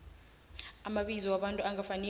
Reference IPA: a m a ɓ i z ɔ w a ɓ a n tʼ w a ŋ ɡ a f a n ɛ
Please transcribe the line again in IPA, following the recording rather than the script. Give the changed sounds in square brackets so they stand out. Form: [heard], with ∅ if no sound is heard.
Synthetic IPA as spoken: a m a ɓ i z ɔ w a ɓ a n tʼ [u] a ŋ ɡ a f a n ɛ